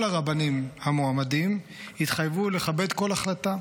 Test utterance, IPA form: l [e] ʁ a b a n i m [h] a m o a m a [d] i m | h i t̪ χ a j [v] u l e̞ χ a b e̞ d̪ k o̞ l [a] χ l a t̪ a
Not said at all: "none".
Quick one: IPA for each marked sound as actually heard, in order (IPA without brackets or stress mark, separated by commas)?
a, h, d, v, a